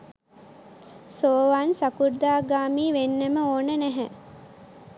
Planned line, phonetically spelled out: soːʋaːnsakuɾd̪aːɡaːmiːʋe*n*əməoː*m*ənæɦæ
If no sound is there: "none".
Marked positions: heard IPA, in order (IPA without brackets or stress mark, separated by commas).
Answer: nː, n